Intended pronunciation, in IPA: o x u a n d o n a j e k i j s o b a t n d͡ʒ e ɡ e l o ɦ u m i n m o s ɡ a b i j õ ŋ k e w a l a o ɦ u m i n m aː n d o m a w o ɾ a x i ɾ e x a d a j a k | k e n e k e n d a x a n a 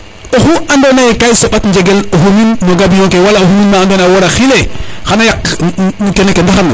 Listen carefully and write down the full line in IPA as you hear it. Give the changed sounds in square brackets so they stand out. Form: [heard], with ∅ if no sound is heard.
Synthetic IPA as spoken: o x u a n d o n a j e k [a] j s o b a t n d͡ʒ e ɡ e l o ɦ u m i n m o [∅] ɡ a b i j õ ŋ k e w a l a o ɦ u m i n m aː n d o [n] a w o ɾ a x i [l] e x a [n] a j a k | k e n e k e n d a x a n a